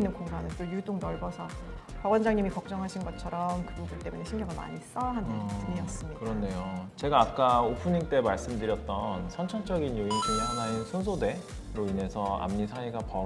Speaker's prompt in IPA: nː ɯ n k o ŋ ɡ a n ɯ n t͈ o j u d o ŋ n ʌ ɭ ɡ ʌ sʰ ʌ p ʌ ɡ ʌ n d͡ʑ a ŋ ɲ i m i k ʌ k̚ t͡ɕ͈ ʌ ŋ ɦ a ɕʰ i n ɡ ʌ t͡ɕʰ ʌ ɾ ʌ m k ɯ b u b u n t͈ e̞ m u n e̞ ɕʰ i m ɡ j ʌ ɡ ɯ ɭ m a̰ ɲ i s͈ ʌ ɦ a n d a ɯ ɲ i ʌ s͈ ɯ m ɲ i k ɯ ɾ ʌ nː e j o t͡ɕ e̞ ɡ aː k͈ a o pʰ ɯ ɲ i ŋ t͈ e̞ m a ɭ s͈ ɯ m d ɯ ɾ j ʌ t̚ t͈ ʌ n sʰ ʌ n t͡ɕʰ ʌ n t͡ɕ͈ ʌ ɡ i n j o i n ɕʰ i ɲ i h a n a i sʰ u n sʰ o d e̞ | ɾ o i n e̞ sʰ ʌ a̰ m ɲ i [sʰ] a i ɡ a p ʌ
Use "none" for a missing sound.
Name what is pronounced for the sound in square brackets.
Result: sʰ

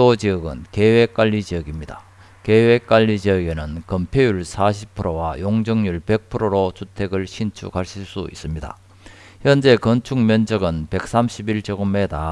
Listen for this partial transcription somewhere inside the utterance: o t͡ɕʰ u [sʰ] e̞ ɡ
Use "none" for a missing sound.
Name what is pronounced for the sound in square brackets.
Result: tʰ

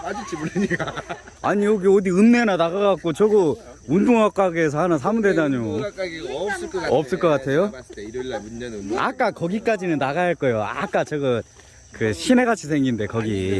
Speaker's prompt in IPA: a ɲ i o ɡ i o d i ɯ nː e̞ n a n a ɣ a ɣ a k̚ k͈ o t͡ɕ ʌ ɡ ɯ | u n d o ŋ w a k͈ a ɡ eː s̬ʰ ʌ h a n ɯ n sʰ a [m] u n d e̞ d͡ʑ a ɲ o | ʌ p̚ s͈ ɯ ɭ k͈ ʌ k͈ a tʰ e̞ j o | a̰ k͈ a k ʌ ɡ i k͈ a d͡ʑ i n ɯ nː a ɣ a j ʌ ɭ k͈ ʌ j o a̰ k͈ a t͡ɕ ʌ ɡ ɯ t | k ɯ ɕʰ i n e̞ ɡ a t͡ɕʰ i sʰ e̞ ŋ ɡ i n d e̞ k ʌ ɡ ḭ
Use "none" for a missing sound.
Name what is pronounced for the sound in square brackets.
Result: m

